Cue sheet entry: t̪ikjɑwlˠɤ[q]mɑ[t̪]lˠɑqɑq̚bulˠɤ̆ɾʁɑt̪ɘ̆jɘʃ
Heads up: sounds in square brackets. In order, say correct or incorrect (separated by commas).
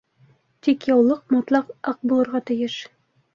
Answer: correct, correct